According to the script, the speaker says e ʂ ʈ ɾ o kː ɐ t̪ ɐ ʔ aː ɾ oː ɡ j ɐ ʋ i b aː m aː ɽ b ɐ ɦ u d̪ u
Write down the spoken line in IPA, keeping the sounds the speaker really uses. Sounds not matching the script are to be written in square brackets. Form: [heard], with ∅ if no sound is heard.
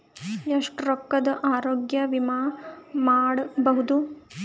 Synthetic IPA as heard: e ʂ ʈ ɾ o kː ɐ [d̪] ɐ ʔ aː ɾ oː ɡ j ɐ ʋ i [m] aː m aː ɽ b ɐ ɦ u d̪ u